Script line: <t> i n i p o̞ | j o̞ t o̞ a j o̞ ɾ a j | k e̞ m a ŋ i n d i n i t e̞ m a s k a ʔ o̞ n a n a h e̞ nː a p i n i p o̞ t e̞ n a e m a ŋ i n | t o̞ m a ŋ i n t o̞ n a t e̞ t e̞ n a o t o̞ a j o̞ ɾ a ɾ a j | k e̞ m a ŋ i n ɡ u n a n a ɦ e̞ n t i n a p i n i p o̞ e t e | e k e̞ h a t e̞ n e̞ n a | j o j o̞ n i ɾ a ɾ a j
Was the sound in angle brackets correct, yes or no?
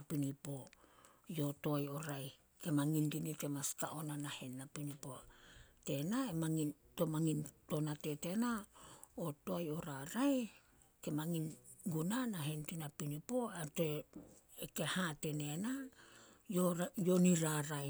no